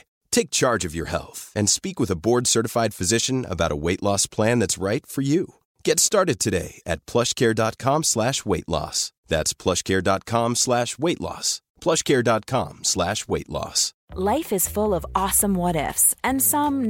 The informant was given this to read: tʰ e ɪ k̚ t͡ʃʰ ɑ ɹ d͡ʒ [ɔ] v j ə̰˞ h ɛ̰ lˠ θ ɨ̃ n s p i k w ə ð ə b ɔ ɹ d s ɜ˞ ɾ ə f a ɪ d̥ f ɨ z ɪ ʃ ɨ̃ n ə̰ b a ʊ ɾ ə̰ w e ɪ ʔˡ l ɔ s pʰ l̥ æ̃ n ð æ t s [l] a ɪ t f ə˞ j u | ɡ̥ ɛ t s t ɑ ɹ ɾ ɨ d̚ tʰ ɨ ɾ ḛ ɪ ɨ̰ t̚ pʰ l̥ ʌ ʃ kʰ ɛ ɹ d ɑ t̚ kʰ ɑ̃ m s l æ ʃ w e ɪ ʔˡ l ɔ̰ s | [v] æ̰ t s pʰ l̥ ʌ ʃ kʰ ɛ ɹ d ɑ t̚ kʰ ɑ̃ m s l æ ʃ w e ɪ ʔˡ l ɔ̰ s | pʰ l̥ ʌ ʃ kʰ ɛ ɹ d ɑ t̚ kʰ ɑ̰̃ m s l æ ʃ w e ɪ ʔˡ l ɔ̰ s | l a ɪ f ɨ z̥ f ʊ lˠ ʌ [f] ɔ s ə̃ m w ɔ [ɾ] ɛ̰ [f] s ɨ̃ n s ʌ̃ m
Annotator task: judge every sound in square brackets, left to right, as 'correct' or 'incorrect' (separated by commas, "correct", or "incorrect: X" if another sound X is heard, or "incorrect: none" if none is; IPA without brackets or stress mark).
incorrect: ʌ, incorrect: ɹ, incorrect: ð, incorrect: v, correct, correct